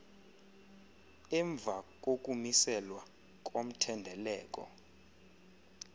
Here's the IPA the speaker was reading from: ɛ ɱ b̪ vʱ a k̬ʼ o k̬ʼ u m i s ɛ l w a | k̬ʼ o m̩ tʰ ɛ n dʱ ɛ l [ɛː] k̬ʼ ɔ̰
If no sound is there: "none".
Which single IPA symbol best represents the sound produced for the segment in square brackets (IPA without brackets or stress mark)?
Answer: ɛː